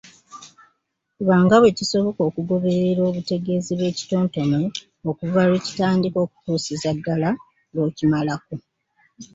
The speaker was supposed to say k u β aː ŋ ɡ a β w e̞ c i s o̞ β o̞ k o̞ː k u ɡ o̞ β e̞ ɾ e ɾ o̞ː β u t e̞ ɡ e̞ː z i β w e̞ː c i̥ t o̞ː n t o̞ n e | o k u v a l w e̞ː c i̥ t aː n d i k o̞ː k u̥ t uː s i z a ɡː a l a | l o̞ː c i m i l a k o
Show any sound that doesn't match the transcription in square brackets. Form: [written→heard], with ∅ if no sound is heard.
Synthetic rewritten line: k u β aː ŋ ɡ a β w e̞ c i s o̞ β o̞ k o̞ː k u ɡ o̞ β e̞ ɾ e ɾ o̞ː β u t e̞ ɡ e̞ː z i β w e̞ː c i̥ t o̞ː n t o̞ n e | o k u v a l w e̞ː c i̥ t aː n d i k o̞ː k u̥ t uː s i z a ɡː a l a | l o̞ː c i m [i→a] l a k o